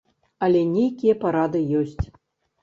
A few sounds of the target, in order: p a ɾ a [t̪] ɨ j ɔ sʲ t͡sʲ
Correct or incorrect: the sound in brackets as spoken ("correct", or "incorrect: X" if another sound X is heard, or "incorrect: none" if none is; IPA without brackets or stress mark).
incorrect: d̪